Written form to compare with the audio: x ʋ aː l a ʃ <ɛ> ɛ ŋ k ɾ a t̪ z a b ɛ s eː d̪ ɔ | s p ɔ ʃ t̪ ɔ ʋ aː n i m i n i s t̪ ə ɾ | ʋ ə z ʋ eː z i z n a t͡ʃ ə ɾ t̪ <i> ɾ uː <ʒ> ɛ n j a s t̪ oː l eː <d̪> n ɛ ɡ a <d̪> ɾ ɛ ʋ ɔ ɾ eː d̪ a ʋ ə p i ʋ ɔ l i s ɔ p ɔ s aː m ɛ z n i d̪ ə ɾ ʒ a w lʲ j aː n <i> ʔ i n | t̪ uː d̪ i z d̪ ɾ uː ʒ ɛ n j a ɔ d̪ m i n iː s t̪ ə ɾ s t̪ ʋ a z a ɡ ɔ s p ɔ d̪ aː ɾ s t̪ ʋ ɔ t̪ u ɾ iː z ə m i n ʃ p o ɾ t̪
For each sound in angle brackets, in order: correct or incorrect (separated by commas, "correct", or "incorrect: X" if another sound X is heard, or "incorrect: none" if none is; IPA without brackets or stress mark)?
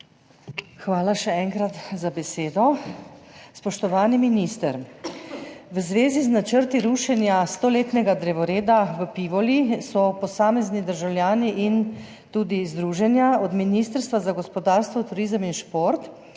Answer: correct, correct, incorrect: ʃ, incorrect: t̪, correct, correct